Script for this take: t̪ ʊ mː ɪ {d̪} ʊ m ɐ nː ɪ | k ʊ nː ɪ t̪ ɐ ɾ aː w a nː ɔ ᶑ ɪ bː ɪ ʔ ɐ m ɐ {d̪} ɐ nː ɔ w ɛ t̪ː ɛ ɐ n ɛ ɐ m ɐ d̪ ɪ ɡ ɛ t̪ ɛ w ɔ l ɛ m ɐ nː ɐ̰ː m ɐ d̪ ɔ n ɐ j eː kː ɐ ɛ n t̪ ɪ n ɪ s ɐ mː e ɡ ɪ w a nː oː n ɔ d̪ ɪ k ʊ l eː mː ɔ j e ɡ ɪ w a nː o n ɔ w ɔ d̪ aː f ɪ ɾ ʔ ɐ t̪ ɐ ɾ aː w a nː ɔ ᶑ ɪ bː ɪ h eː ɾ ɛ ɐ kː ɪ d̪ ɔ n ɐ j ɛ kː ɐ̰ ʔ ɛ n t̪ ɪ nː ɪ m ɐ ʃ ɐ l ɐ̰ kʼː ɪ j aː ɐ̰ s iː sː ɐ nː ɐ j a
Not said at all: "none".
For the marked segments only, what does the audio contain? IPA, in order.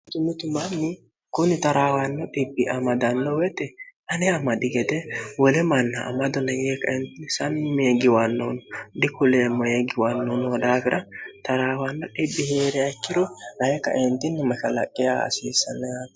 t̪, d̪

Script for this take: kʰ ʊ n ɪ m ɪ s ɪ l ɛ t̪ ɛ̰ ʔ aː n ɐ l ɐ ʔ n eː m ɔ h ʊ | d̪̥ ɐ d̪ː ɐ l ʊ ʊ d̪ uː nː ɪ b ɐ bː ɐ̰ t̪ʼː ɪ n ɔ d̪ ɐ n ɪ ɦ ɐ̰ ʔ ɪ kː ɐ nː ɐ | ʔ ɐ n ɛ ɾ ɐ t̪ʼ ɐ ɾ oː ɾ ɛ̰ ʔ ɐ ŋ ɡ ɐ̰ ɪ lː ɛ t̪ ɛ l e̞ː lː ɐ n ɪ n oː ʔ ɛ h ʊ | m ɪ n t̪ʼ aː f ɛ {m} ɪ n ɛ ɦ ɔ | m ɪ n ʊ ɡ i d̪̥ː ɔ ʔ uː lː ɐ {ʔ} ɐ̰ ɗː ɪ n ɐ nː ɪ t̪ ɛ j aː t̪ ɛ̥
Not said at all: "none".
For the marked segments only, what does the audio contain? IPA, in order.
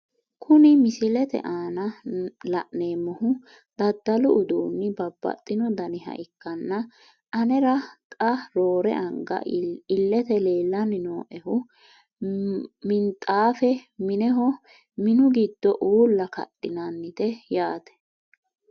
m, k

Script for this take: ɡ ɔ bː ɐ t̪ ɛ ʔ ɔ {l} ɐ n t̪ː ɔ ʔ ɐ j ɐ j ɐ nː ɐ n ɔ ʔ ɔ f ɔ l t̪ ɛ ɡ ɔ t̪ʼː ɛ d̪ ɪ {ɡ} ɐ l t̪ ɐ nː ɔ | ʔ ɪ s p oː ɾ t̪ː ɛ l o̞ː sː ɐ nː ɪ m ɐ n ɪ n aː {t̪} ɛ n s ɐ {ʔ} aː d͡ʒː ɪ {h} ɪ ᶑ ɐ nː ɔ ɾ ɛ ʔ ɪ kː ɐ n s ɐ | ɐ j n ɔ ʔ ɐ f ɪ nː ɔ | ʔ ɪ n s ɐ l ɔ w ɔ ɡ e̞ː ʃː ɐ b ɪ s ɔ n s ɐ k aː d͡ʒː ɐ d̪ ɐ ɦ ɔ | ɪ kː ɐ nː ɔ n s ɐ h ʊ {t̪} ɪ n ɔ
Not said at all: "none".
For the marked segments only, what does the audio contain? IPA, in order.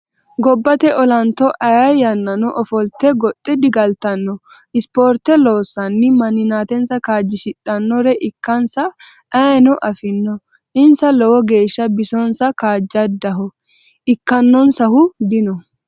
l, ɡ, t̪, k, ʃ, d̪

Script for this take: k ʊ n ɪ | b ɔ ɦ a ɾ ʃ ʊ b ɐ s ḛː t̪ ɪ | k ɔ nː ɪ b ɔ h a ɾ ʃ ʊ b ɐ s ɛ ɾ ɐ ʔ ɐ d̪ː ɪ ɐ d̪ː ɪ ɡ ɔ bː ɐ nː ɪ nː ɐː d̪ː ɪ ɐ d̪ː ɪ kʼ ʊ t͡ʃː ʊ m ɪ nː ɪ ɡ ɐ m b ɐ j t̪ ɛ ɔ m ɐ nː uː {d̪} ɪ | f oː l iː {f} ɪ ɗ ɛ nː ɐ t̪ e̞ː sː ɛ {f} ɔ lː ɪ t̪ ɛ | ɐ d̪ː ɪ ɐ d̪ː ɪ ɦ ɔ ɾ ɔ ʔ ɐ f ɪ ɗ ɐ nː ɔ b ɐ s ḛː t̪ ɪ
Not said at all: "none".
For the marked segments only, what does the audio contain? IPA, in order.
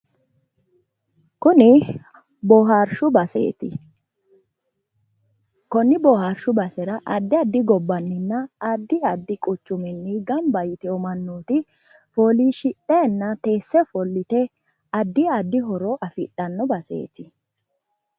t̪, ʃ, f

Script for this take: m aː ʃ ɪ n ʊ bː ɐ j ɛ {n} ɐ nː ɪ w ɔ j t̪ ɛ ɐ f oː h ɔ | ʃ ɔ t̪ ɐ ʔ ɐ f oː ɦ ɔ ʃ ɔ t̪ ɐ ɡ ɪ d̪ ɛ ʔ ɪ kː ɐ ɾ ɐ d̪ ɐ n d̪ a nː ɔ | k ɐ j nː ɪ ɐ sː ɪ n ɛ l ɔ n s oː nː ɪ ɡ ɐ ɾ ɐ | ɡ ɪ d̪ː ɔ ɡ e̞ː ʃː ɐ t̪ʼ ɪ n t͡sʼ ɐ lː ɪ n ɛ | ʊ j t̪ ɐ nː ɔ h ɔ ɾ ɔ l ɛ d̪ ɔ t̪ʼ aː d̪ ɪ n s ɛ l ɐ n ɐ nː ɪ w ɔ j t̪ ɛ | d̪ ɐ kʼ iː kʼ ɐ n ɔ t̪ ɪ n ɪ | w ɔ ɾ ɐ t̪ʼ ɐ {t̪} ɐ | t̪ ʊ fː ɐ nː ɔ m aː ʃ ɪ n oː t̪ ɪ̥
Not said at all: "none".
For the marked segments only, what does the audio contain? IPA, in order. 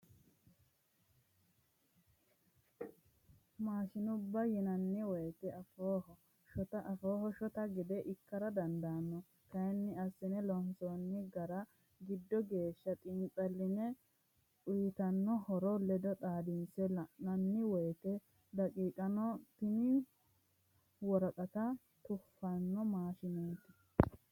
n, t̪

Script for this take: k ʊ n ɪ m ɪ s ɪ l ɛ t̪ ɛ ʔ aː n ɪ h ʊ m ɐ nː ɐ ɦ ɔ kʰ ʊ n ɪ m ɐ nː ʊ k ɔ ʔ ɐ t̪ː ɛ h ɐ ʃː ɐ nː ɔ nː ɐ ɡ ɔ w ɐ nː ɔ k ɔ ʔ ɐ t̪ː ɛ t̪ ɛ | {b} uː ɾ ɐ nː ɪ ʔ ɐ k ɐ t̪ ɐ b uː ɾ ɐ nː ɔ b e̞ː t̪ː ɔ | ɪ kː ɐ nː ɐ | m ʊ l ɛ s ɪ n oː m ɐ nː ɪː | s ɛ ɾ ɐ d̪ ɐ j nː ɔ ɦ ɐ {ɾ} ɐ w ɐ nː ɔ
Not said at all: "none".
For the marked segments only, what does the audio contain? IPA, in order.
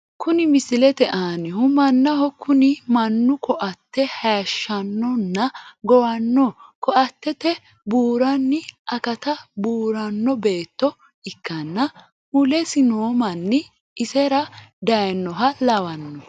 b, l

